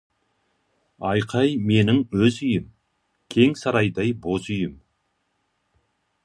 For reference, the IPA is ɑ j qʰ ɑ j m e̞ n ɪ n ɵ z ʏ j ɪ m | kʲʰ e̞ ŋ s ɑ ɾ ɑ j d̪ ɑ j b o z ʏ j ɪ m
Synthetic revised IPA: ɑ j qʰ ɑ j m e̞ n ɪ ŋ ɵ z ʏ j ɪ m | kʲʰ e̞ ŋ s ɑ ɾ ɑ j d̪ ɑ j b o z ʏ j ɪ m